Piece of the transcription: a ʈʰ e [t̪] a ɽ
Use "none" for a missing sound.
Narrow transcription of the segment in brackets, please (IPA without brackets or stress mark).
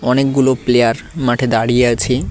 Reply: d̪